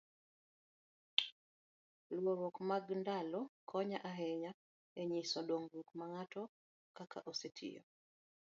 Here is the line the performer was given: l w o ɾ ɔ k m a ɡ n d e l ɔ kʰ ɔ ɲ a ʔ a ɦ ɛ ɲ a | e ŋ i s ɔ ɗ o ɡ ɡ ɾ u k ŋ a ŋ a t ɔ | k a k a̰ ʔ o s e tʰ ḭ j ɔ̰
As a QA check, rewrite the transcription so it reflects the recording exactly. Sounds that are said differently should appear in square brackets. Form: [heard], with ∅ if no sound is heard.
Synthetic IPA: l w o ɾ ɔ k m a ɡ n d [a] l ɔ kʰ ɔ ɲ a ʔ a ɦ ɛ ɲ a | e [ɲ] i s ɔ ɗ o [ŋ] ɡ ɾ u k [m] a ŋ a t ɔ | k a k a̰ ʔ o s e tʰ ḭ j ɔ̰